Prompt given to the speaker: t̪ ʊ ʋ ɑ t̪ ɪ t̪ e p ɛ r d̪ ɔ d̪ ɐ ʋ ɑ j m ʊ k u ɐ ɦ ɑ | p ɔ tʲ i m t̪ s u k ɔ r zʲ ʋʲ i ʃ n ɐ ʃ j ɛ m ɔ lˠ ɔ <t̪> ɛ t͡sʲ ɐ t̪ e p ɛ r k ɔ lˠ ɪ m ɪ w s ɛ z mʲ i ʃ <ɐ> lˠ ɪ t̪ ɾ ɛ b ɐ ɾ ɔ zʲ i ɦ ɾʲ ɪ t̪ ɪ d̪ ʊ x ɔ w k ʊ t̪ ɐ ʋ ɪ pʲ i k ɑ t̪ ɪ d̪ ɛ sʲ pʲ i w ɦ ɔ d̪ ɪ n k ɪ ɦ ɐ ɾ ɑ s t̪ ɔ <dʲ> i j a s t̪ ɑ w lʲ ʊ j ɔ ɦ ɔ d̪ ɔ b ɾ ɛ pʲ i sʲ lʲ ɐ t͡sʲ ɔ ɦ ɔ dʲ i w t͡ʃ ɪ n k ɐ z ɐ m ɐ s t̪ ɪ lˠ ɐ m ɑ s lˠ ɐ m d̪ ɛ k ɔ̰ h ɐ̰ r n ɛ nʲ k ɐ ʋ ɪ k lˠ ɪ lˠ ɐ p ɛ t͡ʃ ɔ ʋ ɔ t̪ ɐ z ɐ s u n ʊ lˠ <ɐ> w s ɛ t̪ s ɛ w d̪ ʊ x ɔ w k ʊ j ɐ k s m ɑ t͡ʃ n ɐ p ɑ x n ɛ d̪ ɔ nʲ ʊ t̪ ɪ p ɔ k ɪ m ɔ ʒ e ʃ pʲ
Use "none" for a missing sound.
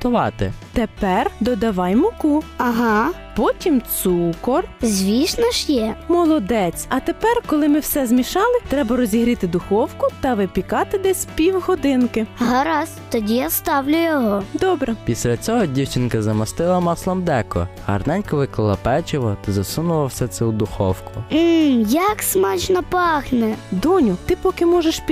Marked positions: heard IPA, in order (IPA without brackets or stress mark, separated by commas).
d̪, ɑ, dʲ, ɐ